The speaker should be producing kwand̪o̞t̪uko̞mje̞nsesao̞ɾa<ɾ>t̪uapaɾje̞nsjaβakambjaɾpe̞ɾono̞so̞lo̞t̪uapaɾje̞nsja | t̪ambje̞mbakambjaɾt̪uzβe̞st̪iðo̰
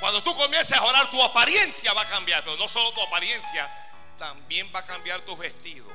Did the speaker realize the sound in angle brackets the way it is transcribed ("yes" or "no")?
yes